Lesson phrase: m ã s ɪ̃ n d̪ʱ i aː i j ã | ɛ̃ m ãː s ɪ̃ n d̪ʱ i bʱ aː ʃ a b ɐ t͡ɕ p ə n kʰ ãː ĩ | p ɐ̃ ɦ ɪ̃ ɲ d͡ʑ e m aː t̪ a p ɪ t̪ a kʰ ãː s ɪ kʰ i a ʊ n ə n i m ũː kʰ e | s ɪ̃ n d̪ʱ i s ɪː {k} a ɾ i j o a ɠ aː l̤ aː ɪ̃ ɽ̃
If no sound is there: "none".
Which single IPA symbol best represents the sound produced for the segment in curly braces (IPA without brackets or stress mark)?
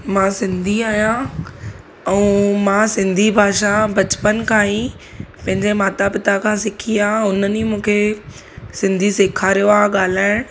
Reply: kʰ